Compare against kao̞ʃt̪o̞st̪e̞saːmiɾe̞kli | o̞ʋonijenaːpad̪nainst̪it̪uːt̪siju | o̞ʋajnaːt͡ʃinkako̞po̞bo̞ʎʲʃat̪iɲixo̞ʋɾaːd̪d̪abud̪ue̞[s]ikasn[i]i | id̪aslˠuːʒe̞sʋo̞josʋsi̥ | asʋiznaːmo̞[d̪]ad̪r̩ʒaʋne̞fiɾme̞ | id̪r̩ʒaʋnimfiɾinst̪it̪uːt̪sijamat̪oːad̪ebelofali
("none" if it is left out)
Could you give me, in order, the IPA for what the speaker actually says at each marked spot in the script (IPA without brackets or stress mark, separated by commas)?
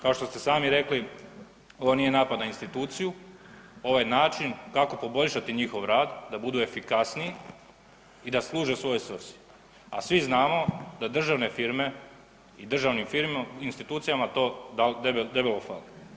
f, i, d̪